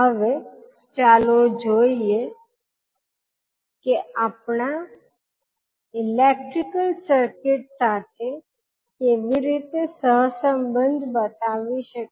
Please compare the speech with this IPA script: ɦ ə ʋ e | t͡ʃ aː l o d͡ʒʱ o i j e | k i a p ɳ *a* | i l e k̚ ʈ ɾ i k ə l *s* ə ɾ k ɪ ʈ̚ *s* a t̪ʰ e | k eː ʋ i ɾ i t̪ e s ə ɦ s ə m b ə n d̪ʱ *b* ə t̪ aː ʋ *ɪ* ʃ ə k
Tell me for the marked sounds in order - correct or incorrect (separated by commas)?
correct, correct, correct, correct, incorrect